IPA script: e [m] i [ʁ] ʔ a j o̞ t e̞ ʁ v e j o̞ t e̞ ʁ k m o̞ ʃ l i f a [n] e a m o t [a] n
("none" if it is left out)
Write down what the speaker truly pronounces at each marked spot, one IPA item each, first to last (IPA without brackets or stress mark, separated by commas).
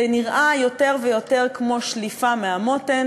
n, ʁ, m, e